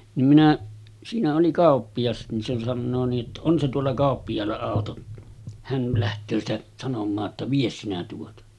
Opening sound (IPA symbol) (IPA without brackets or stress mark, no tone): n